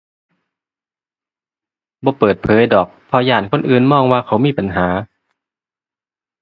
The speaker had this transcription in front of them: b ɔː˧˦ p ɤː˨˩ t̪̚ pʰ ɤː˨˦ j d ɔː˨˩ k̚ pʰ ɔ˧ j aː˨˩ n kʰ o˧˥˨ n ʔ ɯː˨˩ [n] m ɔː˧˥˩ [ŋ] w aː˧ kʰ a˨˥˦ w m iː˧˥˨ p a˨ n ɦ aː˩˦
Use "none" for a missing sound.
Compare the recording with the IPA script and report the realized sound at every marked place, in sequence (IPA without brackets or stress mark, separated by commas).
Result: n, ŋ